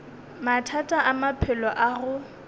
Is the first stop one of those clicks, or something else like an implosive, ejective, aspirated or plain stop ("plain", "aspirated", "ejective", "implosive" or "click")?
aspirated